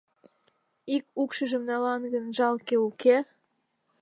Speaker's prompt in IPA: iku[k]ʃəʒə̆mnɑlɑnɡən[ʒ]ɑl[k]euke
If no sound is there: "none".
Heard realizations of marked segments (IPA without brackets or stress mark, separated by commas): k, ʒ, k